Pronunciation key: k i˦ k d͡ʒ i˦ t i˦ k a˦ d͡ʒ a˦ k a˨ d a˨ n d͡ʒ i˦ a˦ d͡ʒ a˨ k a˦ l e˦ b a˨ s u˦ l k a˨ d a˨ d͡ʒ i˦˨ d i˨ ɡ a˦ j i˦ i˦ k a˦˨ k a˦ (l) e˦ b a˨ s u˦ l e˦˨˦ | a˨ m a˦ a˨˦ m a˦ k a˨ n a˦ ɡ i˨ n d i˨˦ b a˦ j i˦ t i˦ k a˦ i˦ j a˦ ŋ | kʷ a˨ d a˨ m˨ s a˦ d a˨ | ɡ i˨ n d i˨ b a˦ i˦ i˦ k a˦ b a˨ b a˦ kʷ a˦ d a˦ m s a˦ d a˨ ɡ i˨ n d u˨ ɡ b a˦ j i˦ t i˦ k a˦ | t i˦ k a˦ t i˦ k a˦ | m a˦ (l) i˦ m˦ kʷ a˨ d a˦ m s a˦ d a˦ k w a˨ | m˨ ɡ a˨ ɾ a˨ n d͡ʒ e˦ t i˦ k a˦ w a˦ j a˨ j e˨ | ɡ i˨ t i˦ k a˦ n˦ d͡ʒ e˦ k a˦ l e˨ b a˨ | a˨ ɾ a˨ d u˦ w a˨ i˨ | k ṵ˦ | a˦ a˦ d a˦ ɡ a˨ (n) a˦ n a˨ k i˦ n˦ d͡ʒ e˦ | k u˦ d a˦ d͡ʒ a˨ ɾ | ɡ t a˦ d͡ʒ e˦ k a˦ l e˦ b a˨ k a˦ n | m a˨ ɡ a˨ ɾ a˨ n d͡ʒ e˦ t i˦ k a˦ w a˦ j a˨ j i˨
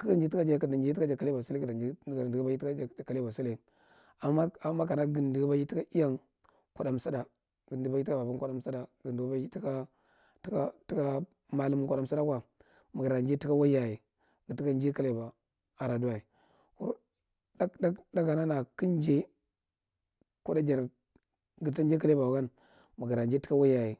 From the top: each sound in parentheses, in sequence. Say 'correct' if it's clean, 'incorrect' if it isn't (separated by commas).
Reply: correct, correct, correct